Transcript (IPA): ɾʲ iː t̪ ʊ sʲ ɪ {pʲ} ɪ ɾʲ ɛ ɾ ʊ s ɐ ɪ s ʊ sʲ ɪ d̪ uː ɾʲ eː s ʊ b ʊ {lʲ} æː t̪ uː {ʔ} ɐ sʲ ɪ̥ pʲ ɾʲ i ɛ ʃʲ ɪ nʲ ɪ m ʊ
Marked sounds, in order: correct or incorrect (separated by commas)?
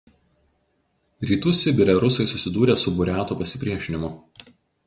incorrect, incorrect, incorrect